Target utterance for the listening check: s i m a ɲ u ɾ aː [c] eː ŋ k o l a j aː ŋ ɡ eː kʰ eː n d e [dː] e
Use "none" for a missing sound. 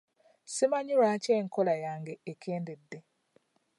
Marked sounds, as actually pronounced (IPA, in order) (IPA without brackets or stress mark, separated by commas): c, dː